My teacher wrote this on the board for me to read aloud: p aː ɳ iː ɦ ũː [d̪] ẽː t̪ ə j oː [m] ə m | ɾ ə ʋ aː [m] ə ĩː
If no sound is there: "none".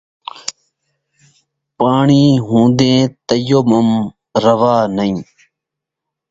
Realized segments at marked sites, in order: d̪, m, n

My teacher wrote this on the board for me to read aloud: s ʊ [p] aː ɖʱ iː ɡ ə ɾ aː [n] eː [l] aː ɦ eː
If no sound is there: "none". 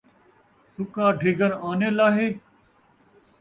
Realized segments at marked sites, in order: k, n, l

